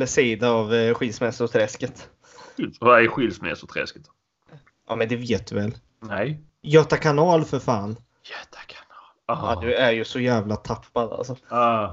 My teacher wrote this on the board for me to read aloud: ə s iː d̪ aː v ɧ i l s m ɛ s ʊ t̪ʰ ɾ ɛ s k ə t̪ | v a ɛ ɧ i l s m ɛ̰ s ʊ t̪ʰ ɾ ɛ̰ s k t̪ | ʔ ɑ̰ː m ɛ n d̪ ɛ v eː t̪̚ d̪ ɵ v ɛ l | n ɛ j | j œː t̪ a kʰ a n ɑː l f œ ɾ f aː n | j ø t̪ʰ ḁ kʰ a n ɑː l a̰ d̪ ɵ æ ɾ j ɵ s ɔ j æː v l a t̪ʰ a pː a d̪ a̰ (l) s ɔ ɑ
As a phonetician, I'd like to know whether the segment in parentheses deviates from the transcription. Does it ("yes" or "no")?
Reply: no